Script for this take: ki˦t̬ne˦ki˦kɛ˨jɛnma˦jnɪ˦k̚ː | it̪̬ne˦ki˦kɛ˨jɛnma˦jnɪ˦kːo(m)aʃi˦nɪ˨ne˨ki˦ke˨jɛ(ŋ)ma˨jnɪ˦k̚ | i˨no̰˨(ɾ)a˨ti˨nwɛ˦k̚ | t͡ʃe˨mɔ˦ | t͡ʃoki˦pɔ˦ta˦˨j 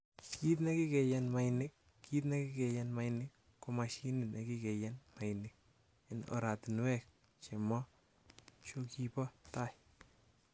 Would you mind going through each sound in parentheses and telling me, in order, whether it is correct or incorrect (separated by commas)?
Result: correct, incorrect, correct